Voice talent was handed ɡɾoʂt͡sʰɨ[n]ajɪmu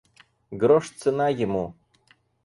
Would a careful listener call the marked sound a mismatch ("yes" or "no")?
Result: no